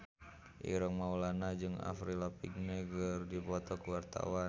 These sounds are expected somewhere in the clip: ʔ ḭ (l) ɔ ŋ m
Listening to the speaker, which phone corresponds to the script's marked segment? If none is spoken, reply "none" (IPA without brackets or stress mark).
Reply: ɾ